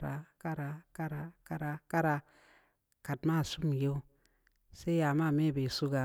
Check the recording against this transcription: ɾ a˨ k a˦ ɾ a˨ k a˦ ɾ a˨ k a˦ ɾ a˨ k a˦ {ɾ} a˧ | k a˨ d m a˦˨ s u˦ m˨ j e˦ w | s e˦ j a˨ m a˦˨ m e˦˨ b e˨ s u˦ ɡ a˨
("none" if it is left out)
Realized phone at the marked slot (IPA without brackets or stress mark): ɾ